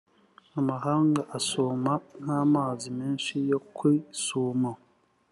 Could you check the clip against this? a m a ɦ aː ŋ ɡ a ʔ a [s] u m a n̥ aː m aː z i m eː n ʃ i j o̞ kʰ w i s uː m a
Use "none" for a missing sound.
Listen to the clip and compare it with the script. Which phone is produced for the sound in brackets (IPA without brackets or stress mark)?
s